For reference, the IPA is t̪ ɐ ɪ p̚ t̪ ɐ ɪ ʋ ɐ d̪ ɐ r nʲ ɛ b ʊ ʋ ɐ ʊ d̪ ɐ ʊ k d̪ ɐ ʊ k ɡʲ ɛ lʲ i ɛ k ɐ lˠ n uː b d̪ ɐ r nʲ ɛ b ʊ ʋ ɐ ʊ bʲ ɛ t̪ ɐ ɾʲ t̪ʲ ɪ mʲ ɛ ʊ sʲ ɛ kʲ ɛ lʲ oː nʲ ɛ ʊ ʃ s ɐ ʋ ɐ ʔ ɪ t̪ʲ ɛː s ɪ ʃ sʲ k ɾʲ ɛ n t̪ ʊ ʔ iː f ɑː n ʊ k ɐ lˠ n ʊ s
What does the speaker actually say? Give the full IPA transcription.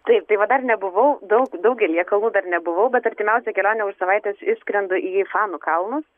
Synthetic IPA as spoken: t̪ ɐ ɪ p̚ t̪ ɐ ɪ ʋ ɐ d̪ ɐ r nʲ ɛ b ʊ ʋ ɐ ʊ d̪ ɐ ʊ k d̪ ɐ ʊ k ɡʲ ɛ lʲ i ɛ k ɐ lˠ n uː d̪ ɐ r nʲ ɛ b ʊ ʋ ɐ ʊ bʲ ɛ t̪ ɐ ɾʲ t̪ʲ ɪ mʲ ɛ ʊ sʲ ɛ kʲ ɛ lʲ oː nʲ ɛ ʊ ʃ s ɐ ʋ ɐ ɪ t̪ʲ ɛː s ɪ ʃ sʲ k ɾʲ ɛ n d̪ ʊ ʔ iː f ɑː n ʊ k ɐ lˠ n ʊ s